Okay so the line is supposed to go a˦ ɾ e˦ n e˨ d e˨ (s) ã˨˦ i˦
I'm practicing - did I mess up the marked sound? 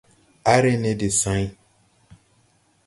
no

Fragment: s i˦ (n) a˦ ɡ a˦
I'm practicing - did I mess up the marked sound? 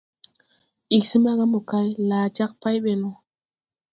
yes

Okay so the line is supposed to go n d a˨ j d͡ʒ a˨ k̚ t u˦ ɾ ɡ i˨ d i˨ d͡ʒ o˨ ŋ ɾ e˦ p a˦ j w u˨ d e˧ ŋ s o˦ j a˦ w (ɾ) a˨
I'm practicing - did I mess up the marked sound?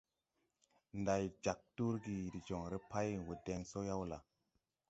yes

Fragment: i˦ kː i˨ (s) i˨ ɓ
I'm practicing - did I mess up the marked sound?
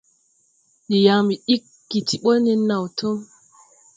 yes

